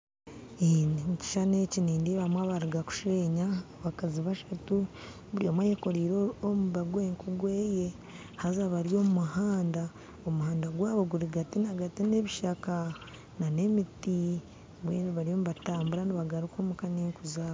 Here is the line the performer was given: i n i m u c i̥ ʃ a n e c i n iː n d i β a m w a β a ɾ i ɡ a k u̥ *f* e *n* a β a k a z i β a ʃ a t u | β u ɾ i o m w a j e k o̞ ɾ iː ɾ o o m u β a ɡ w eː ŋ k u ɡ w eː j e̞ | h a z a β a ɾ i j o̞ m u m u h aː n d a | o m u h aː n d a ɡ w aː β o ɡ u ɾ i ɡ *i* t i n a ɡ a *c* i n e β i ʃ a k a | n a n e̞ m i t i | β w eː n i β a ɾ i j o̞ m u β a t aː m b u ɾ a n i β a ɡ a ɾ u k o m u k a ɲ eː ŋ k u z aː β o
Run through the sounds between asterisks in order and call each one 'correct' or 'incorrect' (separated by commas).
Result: incorrect, incorrect, incorrect, incorrect